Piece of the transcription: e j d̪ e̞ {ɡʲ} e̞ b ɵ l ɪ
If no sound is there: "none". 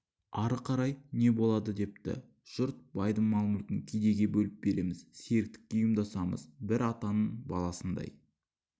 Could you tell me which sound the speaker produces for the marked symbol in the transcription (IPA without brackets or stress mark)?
ɡʲ